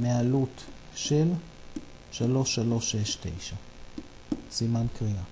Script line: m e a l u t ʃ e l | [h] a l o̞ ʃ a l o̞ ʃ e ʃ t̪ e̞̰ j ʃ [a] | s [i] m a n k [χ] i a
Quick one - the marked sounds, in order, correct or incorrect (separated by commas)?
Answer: incorrect, correct, correct, incorrect